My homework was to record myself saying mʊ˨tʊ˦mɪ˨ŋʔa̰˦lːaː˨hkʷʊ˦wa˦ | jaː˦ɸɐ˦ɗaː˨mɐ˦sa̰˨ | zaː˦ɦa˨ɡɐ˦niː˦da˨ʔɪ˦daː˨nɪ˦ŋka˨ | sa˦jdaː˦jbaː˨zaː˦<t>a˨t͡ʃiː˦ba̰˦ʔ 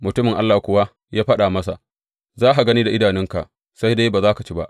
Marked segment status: incorrect: k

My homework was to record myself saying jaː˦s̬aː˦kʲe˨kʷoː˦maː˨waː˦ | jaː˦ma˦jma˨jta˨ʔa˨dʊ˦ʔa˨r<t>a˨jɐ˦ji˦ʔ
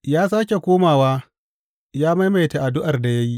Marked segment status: incorrect: d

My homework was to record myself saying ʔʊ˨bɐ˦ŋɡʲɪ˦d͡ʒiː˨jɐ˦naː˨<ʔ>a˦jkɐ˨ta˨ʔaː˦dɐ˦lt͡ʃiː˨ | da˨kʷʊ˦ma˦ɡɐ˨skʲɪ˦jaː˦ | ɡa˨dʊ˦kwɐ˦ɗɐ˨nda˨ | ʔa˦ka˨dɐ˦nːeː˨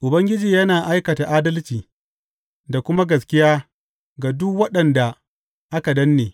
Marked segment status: correct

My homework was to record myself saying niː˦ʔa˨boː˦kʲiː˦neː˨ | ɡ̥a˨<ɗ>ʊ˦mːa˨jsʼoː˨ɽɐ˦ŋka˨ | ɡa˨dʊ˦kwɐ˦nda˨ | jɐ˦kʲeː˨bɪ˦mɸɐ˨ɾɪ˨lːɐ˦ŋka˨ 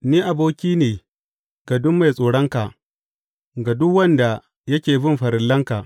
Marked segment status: incorrect: d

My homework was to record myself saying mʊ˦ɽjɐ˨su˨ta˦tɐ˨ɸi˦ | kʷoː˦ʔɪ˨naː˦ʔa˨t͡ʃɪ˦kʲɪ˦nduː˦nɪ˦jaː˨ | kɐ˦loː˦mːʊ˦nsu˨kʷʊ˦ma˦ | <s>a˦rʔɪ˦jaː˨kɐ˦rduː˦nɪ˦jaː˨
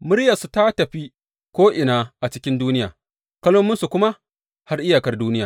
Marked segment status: incorrect: h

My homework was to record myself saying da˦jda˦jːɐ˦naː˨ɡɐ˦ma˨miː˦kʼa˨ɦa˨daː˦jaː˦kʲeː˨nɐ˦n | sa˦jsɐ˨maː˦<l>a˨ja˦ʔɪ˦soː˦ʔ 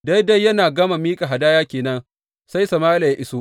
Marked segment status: correct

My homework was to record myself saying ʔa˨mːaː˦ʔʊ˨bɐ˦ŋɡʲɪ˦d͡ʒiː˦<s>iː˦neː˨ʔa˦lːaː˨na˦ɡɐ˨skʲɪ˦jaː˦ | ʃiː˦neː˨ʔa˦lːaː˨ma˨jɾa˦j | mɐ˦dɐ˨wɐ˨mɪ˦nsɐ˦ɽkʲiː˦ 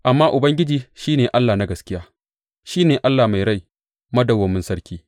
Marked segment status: incorrect: ʃ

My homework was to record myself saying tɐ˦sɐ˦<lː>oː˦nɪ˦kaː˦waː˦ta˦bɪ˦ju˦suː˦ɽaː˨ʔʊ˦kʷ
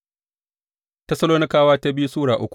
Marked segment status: incorrect: l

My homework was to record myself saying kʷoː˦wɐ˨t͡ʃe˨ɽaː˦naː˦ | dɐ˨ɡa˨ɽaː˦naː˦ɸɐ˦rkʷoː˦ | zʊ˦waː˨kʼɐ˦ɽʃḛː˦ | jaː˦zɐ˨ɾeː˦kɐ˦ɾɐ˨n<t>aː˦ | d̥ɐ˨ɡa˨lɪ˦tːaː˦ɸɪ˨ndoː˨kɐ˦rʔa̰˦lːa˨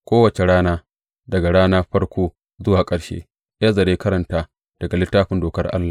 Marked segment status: correct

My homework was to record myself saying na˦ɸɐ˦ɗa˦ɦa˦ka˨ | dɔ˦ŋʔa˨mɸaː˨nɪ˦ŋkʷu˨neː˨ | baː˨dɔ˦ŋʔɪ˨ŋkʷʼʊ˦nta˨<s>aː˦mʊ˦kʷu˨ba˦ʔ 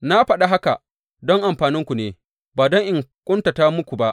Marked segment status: incorrect: t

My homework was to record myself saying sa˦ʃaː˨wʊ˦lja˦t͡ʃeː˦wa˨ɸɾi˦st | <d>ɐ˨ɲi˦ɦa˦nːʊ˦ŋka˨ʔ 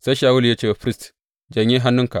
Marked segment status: incorrect: d͡ʒ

